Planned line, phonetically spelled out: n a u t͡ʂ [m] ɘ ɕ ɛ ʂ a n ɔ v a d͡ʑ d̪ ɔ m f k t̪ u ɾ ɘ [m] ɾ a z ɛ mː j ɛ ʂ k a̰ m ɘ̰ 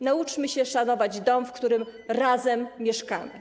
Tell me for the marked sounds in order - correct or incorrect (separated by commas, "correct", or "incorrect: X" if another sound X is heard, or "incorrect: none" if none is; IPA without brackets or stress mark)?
correct, correct